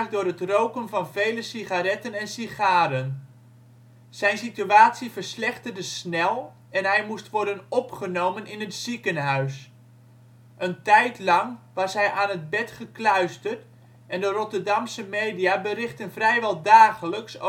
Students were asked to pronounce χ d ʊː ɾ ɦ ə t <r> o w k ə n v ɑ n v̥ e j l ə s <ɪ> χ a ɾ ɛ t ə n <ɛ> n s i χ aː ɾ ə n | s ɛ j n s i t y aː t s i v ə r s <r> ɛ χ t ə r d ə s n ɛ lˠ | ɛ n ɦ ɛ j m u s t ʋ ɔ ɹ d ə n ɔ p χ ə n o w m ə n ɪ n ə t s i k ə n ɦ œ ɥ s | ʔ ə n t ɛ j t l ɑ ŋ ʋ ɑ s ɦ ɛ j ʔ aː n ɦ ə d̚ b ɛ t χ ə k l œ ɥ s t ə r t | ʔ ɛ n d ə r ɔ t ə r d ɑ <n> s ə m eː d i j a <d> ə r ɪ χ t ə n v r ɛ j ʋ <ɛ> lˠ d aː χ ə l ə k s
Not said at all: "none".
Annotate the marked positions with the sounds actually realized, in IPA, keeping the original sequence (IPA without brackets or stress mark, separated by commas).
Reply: r, i, ɛ, l, m, b, ɛ